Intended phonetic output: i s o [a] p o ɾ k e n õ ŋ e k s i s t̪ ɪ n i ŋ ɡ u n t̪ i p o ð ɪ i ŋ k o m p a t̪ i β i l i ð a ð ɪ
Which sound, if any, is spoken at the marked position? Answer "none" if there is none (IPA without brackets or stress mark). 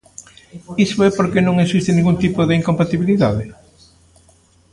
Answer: ɛ